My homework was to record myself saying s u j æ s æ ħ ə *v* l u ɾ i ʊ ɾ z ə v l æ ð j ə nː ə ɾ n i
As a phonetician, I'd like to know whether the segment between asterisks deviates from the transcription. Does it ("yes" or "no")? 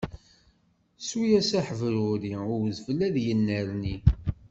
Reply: no